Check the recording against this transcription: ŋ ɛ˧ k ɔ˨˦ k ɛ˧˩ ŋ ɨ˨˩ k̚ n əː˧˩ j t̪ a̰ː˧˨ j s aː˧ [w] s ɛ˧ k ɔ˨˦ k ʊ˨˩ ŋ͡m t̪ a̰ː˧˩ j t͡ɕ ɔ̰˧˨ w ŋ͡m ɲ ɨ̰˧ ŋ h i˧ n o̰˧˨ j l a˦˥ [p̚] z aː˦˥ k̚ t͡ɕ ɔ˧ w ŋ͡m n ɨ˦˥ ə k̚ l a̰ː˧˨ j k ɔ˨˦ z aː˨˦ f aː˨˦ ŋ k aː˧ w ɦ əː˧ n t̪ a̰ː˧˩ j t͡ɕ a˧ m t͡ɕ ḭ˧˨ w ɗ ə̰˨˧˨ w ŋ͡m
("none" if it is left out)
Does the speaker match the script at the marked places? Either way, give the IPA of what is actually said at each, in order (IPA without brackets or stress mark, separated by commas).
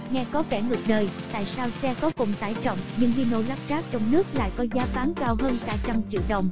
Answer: w, p̚